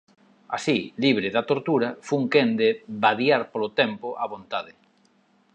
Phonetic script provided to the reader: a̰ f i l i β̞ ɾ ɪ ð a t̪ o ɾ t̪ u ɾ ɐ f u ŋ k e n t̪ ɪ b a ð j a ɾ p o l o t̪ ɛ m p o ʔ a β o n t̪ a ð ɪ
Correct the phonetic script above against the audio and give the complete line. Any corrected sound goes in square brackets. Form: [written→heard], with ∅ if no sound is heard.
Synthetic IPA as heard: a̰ [f→s] i l i β̞ ɾ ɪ ð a t̪ o ɾ t̪ u ɾ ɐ f u ŋ k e n [t̪→d̪] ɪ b a ð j a ɾ p o l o t̪ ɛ m p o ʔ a β o n t̪ a ð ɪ